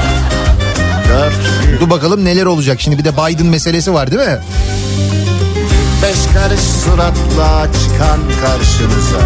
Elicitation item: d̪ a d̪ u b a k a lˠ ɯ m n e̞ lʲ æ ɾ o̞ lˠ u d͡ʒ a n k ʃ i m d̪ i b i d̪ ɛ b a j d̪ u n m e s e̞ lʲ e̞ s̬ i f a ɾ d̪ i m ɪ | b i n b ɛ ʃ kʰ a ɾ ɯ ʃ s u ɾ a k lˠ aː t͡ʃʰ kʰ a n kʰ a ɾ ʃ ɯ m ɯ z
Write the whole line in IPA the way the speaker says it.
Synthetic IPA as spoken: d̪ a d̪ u b a k a lˠ ɯ m n e̞ lʲ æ ɾ o̞ lˠ u d͡ʒ a k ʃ i m d̪ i b i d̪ ɛ b a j d̪ ɯ n m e s e̞ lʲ e̞ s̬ i v a ɾ d̪ i m ɪ | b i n b ɛ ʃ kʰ a ɾ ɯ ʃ s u ɾ a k lˠ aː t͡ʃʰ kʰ a n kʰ a ɾ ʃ ɯ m ɯ z